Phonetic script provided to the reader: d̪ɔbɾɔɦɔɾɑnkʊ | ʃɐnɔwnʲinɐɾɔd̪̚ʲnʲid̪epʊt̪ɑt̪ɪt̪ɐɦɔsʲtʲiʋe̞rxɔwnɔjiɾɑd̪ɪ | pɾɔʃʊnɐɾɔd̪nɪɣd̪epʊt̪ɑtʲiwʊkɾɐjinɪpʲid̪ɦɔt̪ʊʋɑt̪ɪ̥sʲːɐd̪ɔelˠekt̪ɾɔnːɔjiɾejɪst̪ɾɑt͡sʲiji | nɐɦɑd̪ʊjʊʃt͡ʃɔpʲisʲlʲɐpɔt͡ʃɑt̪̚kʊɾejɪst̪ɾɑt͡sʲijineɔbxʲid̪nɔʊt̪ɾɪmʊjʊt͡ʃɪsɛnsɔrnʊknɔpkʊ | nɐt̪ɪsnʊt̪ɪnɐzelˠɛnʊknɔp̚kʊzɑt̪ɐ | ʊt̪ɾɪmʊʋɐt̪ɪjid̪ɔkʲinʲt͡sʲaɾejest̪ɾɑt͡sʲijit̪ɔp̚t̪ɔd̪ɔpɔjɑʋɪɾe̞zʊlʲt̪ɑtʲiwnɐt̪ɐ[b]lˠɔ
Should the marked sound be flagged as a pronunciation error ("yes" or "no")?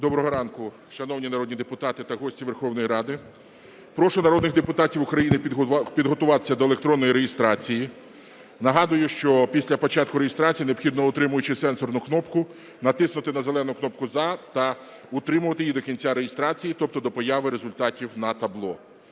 no